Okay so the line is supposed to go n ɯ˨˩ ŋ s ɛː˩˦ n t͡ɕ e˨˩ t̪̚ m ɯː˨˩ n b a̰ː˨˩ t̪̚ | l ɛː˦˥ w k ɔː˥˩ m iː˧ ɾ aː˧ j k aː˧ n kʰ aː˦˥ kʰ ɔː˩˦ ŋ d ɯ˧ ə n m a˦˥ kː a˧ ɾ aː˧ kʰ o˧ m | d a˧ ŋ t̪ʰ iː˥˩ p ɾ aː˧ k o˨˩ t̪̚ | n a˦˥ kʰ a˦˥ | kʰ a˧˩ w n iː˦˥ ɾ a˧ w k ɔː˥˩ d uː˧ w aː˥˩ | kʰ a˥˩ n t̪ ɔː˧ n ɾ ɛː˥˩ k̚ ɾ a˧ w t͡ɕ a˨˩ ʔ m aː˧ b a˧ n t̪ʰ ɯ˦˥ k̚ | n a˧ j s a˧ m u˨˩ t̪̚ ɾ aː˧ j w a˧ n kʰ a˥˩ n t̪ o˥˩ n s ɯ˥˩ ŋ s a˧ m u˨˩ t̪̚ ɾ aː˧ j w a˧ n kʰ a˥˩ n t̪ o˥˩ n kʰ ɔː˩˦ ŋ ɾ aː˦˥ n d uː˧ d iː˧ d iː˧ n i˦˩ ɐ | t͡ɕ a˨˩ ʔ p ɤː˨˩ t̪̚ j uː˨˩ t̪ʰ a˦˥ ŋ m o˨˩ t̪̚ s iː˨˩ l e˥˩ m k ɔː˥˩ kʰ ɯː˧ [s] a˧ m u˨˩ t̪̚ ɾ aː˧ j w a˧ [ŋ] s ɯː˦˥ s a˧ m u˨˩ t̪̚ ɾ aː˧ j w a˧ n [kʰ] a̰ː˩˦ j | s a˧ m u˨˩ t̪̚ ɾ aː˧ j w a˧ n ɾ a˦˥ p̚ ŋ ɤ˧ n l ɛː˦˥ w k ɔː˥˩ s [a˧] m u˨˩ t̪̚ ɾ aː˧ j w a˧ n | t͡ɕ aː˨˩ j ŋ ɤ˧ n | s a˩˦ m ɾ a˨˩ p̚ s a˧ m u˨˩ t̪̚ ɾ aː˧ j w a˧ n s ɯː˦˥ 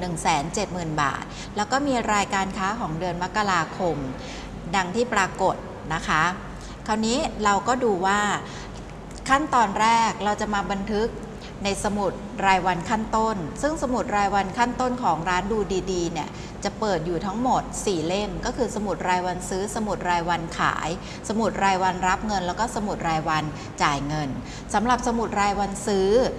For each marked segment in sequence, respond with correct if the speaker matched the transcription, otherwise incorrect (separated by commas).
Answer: correct, incorrect, correct, correct